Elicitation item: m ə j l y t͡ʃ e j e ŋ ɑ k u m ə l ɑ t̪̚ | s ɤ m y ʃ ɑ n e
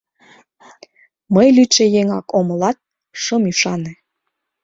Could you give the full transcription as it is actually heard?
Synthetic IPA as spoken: m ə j l y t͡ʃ e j e ŋ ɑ k o m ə l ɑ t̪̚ | ʃ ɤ m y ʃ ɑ n e